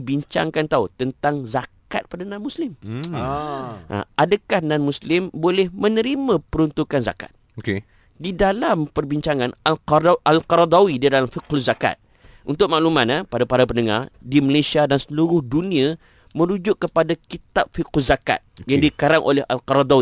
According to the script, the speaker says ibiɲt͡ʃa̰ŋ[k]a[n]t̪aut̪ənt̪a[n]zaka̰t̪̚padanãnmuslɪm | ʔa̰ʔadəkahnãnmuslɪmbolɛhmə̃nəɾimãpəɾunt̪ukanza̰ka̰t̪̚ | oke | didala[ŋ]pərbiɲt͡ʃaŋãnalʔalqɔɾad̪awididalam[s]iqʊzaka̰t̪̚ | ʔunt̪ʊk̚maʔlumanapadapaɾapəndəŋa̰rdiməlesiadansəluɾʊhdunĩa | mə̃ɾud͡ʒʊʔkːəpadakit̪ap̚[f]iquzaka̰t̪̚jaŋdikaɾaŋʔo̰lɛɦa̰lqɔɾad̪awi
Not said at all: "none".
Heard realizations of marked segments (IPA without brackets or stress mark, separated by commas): k, n, ŋ, m, f, f